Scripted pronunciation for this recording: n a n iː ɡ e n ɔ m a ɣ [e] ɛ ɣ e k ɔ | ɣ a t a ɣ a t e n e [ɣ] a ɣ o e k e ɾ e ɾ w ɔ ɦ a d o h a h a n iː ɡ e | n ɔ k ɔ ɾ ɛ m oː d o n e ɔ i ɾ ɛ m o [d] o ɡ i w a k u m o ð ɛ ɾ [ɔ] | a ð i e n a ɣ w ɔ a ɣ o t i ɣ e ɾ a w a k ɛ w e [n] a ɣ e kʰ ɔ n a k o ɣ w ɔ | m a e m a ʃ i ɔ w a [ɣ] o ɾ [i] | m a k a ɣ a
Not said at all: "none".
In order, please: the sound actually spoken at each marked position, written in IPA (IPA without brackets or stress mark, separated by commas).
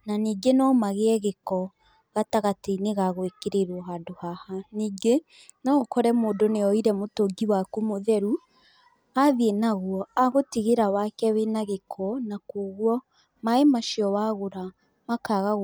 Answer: e, ɣ, t, u, n, ɣ, a